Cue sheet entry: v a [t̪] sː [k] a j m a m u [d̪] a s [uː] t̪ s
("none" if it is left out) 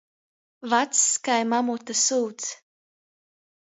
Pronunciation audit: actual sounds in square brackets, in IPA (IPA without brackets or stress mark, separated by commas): t̪, k, t̪, uː